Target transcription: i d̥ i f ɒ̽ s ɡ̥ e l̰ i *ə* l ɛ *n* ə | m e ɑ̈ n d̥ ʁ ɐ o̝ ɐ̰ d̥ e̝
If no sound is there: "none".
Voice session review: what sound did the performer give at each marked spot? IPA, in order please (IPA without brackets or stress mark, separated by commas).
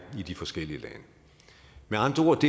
ə, n